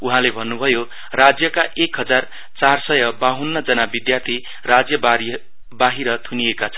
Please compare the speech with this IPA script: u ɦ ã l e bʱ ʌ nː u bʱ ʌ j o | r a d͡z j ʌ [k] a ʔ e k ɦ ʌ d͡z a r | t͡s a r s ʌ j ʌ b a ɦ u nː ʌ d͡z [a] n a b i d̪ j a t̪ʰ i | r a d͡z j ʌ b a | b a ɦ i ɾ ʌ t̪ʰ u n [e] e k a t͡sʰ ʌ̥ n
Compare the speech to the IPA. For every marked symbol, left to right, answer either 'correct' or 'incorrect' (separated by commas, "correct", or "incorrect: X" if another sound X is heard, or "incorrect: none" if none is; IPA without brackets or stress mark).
correct, incorrect: ʌ, incorrect: i